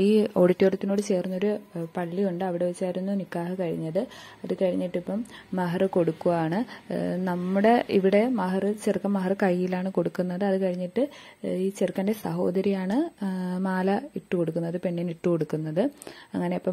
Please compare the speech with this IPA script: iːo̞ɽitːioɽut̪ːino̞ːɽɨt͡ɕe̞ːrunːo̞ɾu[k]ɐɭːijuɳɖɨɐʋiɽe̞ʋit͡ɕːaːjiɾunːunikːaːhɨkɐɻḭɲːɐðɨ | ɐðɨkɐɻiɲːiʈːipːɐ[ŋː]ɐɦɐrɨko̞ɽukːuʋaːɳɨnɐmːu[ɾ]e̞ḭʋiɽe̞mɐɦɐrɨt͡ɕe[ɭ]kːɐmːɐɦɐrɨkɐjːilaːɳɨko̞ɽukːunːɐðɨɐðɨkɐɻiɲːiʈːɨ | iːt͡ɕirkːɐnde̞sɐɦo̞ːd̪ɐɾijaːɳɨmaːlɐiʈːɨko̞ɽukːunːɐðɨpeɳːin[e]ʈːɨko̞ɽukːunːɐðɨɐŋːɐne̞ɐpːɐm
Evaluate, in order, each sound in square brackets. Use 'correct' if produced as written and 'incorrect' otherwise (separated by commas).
incorrect, incorrect, incorrect, incorrect, incorrect